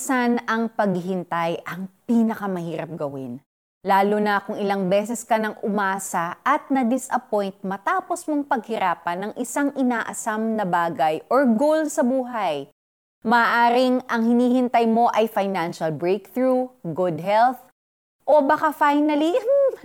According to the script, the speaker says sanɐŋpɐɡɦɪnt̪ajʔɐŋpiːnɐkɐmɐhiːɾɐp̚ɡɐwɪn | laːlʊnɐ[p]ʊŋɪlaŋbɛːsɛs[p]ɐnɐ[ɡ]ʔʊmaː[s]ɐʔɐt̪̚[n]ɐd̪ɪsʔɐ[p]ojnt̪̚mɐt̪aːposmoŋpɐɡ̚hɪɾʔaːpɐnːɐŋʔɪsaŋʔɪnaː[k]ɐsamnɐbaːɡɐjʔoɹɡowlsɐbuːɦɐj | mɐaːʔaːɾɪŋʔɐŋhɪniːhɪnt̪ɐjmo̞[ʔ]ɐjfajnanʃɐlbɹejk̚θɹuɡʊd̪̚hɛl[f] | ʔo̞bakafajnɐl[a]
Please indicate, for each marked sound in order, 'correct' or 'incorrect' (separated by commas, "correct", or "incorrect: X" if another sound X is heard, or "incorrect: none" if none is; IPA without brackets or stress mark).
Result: incorrect: k, incorrect: k, incorrect: ŋ, correct, correct, correct, incorrect: ʔ, correct, incorrect: θ, incorrect: i